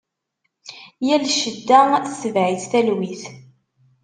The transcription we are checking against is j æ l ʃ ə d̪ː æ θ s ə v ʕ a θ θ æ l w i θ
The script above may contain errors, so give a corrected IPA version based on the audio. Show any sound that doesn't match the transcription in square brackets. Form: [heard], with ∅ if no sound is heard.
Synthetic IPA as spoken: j æ l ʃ ə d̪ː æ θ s ə v ʕ [i] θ θ æ l w i θ